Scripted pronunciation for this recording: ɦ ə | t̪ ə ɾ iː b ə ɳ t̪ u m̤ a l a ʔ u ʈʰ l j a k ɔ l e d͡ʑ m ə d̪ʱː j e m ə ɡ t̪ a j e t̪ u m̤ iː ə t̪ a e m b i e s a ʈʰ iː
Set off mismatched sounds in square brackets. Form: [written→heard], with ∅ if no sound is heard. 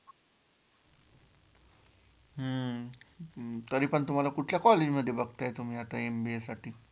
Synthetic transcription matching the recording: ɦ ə | t̪ ə ɾ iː [b→p] ə ɳ t̪ u m̤ a l a [ʔ→k] u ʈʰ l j a k ɔ l e d͡ʑ m ə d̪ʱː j e [m→b] ə ɡ t̪ a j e t̪ u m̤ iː [ə→a] t̪ a e m b i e s a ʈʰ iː